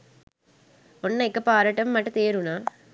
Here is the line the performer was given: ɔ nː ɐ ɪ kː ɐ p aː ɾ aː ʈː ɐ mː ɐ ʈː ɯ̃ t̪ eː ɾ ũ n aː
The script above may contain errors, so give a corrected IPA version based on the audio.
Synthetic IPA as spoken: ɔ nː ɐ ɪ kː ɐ p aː ɾ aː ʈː ɐ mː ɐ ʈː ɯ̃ t̪ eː ɾ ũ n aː